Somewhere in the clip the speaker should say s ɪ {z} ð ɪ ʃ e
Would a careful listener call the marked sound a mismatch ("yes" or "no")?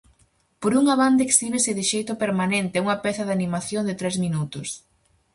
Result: yes